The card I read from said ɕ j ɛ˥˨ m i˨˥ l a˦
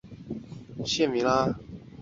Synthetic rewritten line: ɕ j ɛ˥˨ m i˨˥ l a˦